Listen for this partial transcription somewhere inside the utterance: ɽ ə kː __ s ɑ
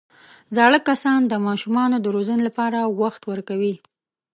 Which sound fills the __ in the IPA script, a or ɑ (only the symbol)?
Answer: a